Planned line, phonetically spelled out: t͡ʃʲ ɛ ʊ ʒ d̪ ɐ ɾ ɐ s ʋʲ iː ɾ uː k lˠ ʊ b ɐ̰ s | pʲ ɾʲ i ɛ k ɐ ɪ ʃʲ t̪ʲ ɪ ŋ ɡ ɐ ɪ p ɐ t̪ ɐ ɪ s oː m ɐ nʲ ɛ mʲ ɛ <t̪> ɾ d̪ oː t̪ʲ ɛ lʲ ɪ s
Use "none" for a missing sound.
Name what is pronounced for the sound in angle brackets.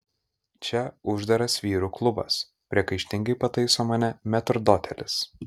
t̪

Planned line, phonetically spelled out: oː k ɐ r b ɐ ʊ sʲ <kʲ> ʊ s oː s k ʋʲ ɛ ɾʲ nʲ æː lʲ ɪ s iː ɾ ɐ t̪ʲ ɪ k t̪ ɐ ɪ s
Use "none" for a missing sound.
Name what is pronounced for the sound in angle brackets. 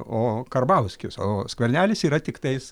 kʲ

